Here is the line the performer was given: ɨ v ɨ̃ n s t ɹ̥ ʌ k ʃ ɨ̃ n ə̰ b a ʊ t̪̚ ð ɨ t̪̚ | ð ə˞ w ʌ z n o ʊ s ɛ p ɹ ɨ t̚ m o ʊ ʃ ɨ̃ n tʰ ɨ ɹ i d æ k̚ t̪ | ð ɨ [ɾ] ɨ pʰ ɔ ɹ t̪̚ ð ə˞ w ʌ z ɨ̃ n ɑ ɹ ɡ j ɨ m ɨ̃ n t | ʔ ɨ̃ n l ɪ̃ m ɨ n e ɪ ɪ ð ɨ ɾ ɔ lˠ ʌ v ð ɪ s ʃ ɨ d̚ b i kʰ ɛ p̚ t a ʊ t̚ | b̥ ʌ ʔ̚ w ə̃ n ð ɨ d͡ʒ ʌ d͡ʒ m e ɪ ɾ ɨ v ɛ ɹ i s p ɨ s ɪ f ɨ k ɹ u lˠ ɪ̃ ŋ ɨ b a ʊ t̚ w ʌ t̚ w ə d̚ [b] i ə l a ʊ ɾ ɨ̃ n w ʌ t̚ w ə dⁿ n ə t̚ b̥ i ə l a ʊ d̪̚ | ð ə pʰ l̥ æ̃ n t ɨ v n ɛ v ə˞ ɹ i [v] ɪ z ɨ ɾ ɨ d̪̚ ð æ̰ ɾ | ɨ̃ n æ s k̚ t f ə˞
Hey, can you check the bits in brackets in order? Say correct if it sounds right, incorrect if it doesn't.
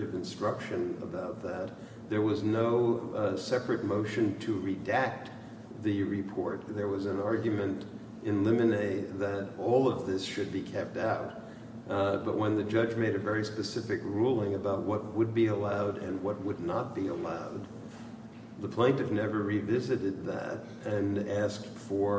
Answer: incorrect: ɹ, correct, correct

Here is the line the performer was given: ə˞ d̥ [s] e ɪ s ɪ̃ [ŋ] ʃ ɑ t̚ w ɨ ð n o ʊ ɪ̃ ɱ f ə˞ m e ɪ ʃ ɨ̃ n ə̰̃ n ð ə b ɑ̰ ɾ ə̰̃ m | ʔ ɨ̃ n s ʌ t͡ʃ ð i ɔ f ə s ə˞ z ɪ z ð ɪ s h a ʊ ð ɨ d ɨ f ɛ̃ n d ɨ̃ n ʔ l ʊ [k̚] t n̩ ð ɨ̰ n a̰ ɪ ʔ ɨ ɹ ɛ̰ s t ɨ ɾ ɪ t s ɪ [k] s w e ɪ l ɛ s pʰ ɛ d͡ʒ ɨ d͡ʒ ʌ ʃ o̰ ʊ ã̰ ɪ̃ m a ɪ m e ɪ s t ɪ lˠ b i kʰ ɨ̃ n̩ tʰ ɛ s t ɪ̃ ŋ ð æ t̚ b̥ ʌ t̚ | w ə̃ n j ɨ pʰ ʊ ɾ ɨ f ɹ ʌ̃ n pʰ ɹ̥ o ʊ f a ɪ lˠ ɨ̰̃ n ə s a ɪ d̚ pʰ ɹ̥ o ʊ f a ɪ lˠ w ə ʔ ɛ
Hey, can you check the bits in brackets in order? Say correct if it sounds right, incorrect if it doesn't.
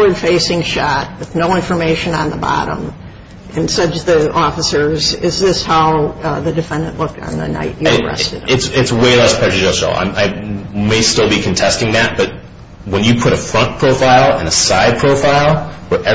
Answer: incorrect: f, correct, correct, incorrect: t

